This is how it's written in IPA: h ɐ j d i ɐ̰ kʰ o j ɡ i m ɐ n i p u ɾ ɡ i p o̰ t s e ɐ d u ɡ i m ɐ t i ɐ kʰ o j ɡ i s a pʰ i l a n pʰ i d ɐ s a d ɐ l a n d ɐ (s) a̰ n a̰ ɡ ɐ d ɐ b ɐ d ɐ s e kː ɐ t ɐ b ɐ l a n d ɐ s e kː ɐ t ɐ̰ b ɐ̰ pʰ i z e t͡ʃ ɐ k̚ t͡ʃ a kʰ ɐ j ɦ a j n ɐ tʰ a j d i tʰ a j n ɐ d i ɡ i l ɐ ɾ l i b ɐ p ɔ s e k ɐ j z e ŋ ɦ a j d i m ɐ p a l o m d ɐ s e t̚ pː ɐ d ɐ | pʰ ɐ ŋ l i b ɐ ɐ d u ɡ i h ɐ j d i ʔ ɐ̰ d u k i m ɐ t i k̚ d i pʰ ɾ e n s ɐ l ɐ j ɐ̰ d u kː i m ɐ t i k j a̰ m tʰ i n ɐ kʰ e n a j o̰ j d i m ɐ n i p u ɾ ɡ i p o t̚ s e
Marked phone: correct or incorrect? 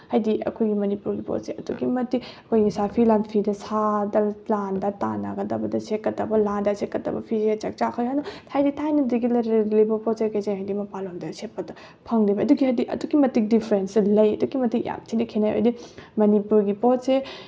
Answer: incorrect: t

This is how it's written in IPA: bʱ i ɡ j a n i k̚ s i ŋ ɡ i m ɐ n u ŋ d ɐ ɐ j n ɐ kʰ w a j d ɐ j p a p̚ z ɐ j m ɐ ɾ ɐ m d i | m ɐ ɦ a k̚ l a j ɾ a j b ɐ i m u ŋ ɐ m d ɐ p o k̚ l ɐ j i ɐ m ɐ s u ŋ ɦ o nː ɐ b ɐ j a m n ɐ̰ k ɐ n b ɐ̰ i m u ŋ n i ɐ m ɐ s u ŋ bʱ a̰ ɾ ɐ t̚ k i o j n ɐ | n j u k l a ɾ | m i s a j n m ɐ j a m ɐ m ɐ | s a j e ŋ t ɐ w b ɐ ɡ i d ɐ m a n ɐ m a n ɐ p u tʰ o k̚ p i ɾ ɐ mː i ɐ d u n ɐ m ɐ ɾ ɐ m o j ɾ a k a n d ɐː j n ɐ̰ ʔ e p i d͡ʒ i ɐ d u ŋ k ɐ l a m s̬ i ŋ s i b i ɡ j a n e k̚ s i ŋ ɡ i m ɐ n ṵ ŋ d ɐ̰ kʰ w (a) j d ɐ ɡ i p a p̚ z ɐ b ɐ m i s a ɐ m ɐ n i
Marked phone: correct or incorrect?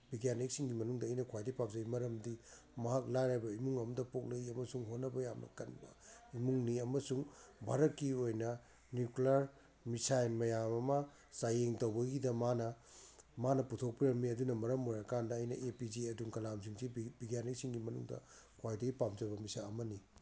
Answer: correct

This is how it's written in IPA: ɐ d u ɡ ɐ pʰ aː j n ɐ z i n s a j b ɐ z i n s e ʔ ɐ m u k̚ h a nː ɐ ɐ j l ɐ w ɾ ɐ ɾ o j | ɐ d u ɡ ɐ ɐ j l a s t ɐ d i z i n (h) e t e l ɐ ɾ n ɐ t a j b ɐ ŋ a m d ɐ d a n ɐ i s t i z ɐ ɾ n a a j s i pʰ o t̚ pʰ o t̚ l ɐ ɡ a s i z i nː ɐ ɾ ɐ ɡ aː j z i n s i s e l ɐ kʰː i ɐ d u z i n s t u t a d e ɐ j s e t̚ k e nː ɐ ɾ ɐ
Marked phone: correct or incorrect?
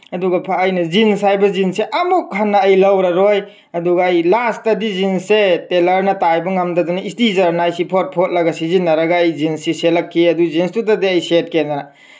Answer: incorrect: s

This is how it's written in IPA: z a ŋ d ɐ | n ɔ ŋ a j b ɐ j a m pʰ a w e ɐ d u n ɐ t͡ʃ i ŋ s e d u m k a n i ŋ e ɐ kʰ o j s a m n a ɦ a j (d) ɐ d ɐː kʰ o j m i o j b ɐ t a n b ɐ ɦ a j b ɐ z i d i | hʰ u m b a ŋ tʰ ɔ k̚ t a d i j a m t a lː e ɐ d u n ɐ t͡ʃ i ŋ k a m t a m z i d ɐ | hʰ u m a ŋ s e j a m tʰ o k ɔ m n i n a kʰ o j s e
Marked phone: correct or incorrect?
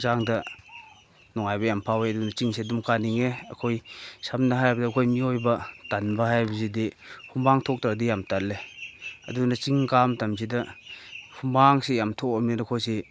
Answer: incorrect: b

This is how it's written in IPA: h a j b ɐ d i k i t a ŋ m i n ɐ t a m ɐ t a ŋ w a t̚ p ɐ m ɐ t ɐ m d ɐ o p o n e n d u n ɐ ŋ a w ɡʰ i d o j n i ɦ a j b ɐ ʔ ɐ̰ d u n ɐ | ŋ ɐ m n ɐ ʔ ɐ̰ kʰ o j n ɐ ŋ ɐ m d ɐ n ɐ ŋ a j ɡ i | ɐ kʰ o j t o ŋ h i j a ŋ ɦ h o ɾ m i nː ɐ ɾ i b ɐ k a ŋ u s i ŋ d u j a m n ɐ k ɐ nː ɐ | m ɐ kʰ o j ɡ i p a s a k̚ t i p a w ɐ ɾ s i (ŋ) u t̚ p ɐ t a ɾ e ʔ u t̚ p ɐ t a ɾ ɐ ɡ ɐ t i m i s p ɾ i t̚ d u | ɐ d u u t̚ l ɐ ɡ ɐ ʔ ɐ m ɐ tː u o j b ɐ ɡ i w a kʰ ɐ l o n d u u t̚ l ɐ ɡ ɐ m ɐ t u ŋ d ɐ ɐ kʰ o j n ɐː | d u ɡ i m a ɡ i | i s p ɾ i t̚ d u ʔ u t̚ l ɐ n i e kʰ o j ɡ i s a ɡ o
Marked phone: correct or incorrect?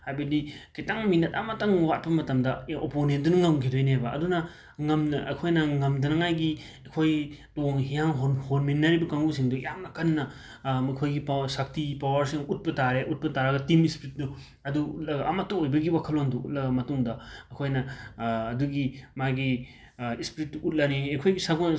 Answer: correct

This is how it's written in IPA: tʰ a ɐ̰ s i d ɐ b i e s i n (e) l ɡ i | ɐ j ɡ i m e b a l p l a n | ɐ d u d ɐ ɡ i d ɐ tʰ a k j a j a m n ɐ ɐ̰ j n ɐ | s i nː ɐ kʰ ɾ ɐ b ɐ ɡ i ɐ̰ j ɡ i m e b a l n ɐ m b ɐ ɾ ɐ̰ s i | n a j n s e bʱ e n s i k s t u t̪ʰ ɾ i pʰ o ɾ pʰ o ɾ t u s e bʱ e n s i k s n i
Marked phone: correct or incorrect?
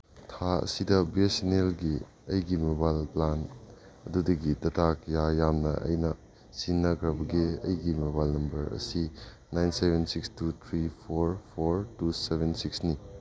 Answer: correct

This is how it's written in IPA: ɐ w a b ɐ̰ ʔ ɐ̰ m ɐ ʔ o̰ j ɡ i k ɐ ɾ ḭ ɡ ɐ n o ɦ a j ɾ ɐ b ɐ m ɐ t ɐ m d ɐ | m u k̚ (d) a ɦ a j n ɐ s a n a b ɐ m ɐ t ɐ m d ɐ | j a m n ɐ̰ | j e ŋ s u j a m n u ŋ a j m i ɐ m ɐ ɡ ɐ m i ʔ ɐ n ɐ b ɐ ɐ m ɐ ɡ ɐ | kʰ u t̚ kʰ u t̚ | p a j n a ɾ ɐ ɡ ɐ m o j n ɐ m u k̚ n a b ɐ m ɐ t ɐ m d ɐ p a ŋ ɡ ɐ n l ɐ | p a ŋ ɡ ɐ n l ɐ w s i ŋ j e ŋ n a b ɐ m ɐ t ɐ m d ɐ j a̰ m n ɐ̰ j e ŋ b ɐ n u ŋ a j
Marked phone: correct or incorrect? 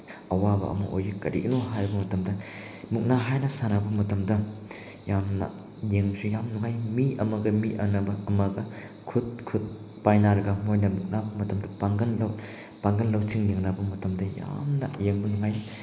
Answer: incorrect: n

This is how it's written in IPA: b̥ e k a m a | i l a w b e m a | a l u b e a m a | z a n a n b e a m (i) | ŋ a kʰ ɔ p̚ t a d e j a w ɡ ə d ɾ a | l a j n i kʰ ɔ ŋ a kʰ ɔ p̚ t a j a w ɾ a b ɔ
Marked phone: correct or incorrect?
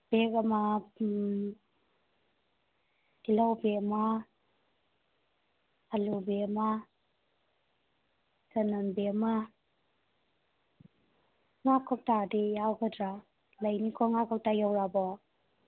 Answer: incorrect: a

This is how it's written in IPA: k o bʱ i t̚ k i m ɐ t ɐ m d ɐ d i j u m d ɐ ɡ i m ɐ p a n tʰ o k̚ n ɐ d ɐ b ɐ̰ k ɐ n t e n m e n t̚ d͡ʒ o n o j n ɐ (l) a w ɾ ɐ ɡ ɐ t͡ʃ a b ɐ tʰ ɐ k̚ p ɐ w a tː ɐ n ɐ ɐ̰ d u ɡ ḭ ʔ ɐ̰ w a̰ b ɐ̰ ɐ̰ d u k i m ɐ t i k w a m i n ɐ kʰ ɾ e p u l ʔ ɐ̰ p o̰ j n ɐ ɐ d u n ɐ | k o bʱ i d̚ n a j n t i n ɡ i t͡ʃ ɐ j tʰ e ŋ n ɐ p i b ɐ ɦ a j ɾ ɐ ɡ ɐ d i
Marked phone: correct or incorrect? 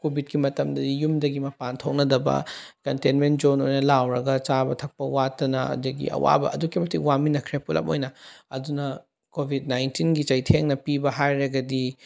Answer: correct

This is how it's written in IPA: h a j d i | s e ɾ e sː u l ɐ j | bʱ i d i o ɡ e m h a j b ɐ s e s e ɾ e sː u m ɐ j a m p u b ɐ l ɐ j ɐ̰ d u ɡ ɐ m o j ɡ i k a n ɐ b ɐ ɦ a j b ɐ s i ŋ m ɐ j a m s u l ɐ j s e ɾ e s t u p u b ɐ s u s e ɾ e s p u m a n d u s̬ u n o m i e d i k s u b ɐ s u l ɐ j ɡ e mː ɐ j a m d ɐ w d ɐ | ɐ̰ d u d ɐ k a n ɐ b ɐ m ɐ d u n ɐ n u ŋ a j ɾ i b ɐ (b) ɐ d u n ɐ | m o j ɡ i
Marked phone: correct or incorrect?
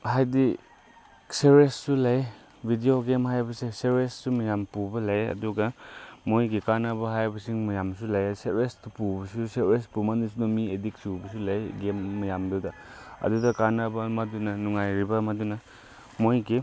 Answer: incorrect: m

